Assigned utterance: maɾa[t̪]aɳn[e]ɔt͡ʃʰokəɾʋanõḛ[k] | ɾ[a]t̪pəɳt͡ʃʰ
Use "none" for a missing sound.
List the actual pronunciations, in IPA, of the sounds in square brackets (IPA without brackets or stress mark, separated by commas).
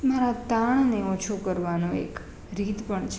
t̪, e, k, i